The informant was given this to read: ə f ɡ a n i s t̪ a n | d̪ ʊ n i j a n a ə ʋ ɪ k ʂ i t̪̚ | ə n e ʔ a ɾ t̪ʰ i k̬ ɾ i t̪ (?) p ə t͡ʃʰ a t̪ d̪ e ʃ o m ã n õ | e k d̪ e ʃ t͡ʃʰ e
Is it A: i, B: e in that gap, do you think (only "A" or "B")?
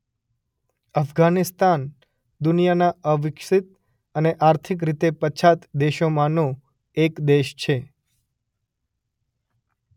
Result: B